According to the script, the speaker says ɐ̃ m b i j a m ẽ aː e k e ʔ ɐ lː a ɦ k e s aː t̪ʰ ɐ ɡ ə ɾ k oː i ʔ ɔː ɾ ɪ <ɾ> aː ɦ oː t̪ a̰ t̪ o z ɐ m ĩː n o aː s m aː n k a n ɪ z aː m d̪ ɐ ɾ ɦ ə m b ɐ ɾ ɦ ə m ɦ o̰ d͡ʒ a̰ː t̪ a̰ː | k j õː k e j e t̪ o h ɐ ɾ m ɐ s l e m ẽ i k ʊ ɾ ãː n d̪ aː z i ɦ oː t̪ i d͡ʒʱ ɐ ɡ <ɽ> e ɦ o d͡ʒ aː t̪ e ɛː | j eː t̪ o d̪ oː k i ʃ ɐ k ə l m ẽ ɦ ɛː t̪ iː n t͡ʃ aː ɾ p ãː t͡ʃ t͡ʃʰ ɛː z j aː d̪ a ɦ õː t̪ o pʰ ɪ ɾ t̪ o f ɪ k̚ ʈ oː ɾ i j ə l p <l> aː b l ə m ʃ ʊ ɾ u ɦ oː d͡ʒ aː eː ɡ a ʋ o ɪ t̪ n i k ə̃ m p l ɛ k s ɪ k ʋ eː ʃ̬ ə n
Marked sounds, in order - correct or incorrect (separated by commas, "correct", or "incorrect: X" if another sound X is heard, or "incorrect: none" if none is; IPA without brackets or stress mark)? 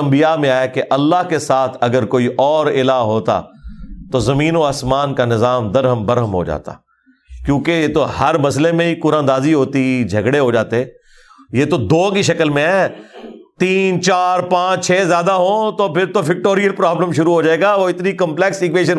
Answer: incorrect: l, correct, incorrect: ɾ